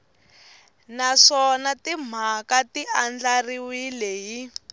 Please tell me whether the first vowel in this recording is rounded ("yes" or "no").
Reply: no